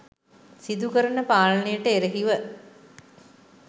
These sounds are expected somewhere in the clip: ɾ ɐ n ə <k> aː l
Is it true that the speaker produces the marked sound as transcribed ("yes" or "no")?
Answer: no